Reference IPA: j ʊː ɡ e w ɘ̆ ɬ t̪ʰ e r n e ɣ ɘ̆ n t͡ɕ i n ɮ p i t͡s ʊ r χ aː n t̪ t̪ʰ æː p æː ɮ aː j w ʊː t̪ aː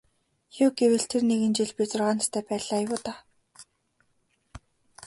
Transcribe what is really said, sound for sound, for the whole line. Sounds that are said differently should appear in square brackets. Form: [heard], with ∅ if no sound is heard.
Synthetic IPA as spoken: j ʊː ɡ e w ɘ̆ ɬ t̪ʰ e r n e ɣ ɘ̆ n t͡ɕ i [∅] ɮ p i t͡s ʊ r [ʁ] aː n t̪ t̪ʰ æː p æː ɮ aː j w ʊː t̪ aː